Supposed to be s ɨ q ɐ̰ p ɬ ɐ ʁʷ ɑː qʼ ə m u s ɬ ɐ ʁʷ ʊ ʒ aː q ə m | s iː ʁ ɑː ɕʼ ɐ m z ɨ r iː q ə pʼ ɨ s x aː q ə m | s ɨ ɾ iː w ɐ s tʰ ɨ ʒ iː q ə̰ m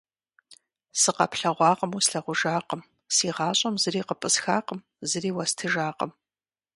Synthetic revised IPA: s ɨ q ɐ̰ p ɬ ɐ ʁʷ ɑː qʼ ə m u s ɬ ɐ ʁʷ ʊ ʒ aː q ə m | s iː ʁ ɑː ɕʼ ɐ m z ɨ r iː q ə pʼ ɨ s x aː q ə m | z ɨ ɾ iː w ɐ s tʰ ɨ ʒ aː q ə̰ m